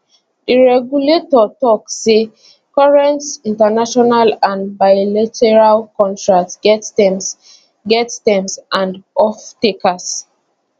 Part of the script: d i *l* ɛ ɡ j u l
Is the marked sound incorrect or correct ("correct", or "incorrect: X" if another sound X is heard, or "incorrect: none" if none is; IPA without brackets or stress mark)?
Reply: incorrect: ɹ